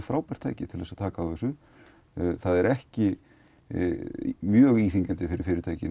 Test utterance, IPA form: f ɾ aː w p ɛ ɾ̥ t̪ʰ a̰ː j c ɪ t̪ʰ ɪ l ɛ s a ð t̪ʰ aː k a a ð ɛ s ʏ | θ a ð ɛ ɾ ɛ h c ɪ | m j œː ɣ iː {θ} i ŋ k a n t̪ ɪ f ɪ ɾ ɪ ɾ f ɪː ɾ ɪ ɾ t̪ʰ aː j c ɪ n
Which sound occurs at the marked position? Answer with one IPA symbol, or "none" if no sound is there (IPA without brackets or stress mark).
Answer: θ